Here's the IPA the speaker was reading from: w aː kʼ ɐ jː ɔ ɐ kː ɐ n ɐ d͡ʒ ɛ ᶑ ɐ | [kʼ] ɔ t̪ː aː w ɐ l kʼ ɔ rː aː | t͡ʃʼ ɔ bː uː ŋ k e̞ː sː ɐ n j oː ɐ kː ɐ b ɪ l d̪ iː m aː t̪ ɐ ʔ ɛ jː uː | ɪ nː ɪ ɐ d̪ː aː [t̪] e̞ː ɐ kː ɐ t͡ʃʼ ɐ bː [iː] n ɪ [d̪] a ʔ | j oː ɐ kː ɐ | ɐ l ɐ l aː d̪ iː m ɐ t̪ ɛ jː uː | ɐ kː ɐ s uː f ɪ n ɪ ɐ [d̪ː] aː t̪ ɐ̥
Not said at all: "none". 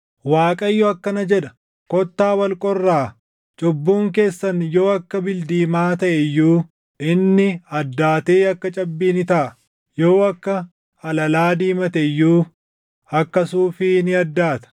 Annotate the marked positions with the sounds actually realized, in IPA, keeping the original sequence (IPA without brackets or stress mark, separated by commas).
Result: k, t̪, iː, t̪, d̪ː